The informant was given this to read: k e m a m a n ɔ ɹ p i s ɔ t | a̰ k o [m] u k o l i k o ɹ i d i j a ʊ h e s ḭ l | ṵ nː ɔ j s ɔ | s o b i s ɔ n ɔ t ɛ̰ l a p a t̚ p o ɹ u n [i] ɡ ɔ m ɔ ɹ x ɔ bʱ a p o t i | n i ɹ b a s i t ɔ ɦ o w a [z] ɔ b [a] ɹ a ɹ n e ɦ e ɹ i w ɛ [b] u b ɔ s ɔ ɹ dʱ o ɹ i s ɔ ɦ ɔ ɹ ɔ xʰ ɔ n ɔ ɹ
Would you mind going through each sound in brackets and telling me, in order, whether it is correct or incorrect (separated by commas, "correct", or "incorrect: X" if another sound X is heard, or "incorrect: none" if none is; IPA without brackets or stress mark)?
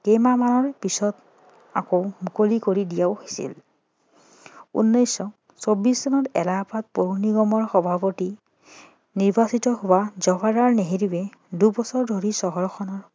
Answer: correct, correct, correct, correct, incorrect: d